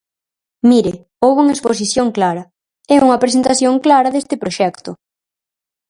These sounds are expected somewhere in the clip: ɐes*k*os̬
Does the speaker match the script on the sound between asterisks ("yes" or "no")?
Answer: no